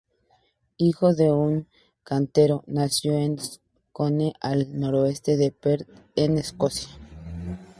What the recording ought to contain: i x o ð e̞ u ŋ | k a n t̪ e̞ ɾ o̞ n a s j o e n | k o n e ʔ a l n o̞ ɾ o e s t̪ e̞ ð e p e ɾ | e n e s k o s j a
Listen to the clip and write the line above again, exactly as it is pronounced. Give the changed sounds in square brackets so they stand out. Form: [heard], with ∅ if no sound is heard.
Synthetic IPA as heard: i x o ð e̞ u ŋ | k a n t̪ e̞ ɾ o̞ n a s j o e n | k o n e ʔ a l n o̞ ɾ o e s t̪ e̞ ð e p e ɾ | e n e s k o s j a